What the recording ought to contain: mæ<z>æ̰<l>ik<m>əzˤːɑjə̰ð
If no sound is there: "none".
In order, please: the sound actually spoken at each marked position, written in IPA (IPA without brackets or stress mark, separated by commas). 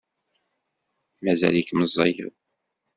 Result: z, l, m